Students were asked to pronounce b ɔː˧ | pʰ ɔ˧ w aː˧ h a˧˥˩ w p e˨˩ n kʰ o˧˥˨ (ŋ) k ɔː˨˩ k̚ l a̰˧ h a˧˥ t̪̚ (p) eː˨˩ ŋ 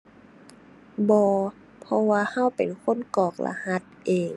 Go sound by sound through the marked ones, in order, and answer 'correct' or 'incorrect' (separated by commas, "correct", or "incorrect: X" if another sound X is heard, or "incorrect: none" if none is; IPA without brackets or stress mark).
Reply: incorrect: n, incorrect: ʔ